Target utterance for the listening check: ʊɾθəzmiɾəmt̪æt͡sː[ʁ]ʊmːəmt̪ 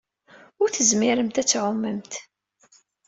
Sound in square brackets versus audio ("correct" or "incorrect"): incorrect